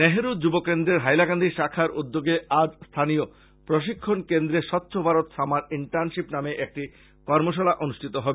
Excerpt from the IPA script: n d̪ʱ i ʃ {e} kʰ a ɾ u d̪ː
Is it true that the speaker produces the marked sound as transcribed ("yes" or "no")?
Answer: no